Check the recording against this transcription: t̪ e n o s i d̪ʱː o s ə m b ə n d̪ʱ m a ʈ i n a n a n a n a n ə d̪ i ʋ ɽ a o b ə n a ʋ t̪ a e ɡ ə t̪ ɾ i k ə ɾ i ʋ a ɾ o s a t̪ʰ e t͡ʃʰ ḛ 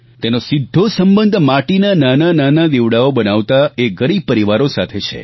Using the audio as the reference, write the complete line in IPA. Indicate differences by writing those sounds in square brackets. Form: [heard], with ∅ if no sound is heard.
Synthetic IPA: t̪ e n o s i d̪ʱː o s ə m b ə n d̪ʱ m a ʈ i n a n a n a n a n [a] d̪ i ʋ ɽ a o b ə n a ʋ t̪ a e ɡ ə [∅] ɾ i [p] ə ɾ i ʋ a ɾ o s a t̪ʰ e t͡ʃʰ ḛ